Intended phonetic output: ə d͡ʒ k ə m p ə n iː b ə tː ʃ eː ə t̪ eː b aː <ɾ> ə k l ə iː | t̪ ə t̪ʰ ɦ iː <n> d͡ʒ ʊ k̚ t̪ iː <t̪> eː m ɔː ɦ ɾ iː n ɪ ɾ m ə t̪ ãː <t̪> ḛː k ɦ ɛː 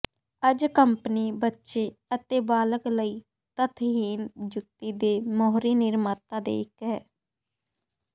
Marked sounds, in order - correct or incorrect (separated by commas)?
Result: incorrect, correct, incorrect, incorrect